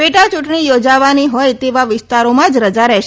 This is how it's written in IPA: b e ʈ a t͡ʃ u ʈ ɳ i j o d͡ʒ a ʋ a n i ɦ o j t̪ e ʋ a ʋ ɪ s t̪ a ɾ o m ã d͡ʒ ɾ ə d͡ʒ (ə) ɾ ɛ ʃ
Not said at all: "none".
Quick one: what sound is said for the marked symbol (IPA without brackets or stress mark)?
a